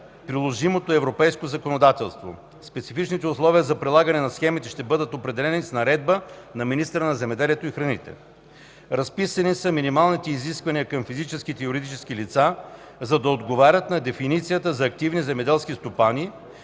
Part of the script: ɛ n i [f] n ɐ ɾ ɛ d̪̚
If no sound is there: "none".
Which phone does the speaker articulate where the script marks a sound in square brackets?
s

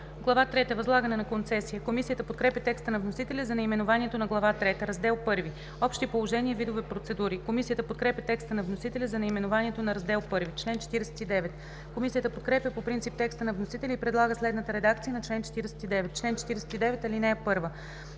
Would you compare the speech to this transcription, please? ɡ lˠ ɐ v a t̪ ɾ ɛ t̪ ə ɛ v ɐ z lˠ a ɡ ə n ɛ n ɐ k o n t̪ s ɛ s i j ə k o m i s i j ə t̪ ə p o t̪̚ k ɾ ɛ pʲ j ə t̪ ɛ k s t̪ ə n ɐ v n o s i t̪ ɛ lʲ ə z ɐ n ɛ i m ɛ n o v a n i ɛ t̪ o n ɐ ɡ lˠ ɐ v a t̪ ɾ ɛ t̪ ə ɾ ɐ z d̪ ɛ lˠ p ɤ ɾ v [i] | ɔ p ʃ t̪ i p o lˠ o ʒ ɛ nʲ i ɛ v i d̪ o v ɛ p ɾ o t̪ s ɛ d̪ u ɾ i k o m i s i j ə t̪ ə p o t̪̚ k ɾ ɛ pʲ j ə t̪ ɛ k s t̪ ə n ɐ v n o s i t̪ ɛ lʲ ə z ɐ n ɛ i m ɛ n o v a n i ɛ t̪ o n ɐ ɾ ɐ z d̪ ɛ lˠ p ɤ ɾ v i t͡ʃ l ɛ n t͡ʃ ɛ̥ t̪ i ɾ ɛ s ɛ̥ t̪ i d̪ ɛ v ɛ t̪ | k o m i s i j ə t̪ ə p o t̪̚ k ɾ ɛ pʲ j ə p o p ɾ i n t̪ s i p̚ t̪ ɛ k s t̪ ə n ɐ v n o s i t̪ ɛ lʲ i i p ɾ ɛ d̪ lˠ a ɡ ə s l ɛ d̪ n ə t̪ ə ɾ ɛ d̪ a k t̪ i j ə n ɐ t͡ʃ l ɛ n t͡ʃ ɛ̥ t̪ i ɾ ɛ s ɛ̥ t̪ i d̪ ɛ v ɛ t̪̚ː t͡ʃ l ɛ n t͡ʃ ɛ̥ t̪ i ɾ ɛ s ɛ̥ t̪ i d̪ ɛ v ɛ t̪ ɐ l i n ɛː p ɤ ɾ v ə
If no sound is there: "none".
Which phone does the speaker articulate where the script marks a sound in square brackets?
i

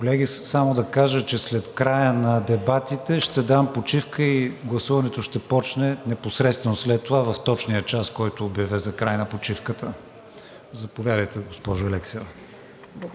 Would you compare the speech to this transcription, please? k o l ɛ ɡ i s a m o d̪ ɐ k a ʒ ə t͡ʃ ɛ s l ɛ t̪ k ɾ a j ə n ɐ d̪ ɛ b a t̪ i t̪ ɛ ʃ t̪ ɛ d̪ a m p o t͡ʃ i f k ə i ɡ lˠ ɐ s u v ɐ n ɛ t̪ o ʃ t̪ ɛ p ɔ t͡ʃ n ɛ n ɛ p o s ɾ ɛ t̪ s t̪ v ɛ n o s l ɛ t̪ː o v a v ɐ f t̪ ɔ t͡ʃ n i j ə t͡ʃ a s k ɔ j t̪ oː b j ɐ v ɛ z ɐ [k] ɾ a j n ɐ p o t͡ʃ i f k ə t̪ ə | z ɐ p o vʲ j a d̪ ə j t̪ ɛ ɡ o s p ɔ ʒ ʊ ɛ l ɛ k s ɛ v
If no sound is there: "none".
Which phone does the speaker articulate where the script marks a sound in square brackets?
k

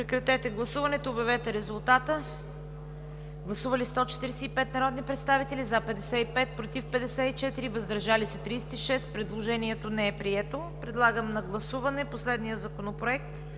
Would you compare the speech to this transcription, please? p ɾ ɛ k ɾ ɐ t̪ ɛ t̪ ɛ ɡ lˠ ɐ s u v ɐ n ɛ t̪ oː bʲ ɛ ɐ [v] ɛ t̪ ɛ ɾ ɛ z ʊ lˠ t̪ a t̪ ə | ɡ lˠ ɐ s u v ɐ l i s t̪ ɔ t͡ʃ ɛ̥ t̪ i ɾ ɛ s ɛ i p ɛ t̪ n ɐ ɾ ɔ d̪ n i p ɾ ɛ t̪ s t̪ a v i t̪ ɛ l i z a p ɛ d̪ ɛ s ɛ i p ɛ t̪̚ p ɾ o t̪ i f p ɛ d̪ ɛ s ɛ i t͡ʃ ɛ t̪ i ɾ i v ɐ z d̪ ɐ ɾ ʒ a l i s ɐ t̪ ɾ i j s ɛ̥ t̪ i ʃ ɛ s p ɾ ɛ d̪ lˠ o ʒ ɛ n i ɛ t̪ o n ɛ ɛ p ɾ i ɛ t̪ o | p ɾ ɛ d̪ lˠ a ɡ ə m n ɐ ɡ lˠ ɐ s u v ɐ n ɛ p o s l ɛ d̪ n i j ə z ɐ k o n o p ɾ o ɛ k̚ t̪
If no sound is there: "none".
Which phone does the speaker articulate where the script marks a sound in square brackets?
v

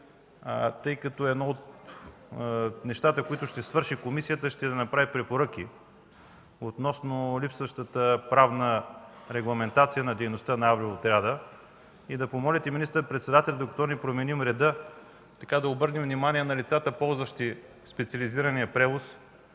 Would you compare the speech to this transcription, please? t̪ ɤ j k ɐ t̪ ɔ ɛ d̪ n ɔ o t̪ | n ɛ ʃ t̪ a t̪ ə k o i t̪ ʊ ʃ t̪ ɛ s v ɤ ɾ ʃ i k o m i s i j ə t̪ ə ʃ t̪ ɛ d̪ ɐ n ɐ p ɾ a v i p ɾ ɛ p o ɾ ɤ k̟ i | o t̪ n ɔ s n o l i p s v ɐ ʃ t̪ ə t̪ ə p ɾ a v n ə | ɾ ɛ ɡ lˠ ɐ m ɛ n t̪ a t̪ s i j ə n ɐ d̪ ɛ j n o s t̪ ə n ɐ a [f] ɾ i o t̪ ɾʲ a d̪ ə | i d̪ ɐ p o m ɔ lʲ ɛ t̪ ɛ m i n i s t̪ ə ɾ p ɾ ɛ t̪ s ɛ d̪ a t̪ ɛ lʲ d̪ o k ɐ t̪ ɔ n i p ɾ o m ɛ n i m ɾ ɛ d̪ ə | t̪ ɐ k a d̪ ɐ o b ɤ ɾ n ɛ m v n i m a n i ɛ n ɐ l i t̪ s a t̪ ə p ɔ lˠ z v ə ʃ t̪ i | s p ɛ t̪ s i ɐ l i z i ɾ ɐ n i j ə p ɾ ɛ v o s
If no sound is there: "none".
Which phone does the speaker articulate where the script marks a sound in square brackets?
v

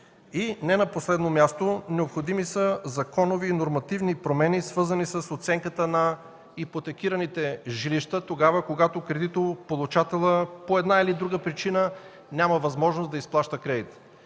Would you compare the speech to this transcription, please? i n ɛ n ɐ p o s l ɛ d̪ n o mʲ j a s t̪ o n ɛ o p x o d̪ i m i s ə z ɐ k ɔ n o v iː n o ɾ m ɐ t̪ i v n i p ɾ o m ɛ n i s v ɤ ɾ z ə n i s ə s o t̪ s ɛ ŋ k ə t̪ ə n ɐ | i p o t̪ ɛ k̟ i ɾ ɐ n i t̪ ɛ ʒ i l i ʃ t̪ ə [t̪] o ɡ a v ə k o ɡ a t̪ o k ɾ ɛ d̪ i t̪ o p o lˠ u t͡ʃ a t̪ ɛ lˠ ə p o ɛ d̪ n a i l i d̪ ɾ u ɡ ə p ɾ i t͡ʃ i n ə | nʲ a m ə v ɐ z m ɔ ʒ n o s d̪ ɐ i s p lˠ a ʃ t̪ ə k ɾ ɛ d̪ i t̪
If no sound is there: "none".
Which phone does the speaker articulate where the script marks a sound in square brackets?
t̪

